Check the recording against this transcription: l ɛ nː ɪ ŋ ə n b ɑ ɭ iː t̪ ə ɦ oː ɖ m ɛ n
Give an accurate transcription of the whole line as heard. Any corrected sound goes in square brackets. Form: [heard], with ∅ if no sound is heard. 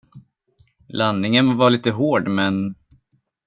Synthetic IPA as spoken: l [a] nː ɪ ŋ ə n [v] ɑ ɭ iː t̪ ə ɦ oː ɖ m ɛ n